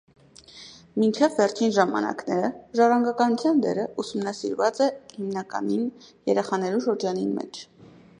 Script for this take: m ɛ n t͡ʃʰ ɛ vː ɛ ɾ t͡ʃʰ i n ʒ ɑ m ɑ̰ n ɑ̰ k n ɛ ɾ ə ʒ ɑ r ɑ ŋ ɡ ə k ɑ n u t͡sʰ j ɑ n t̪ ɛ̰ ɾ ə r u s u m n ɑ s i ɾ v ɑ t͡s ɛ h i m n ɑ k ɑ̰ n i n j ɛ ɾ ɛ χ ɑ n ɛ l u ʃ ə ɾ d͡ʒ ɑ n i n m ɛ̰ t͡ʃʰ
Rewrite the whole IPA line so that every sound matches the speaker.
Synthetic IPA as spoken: m i n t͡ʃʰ ɛ vː ɛ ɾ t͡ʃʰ i n ʒ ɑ m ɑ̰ n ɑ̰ k n ɛ ɾ ə ʒ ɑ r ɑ ŋ ɡ ɑ k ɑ n u t͡sʰ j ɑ n d̪ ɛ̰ ɾ ə u s u m n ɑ s i ɾ v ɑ t͡s ɛ h i m n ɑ k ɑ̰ n i n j ɛ ɾ ɛ χ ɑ n ɛ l u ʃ ə ɾ d͡ʒ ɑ n i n m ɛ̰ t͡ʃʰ